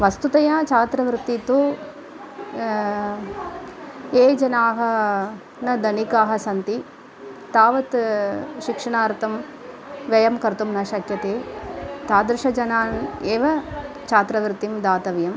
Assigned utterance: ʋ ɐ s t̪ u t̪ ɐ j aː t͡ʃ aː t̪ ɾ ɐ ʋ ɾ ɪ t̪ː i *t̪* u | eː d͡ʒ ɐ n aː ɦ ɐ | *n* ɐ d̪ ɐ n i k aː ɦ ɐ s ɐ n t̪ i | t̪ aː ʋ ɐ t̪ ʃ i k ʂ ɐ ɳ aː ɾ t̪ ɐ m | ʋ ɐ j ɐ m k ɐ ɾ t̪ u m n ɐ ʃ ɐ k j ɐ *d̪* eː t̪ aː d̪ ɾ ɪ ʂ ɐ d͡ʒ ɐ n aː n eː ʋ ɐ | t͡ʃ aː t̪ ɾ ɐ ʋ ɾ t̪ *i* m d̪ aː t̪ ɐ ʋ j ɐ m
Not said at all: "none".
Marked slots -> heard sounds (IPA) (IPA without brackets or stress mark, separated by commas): t̪, n, t̪, i